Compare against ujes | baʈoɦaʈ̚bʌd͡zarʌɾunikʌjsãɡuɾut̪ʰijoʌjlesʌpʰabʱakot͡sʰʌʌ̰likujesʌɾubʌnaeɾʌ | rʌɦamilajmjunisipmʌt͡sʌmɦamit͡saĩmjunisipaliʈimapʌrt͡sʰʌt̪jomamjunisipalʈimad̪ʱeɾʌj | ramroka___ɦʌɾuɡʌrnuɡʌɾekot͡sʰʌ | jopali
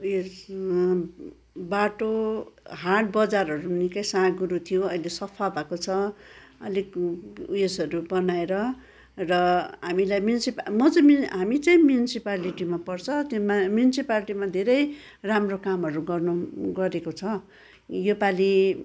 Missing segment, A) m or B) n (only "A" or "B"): A